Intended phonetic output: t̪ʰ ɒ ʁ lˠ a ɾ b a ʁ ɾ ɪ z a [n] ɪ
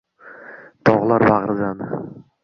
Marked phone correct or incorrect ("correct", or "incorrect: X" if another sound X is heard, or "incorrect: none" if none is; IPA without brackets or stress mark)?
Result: correct